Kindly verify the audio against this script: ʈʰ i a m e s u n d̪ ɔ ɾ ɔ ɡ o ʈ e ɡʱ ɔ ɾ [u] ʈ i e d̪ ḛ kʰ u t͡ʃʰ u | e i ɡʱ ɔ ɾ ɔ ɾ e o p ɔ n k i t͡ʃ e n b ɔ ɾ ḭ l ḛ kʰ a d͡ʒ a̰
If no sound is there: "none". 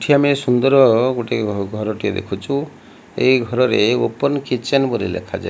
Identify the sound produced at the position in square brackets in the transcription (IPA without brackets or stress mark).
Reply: ɔ